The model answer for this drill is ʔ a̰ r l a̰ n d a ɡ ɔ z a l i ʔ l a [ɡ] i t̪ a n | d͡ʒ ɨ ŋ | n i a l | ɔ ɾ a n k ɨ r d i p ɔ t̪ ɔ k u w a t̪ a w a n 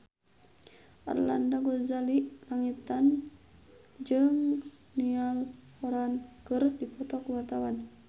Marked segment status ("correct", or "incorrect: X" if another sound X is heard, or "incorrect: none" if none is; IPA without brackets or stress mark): incorrect: ŋ